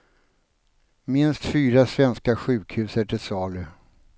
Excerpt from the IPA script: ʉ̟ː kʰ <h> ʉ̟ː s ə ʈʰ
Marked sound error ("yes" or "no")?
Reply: no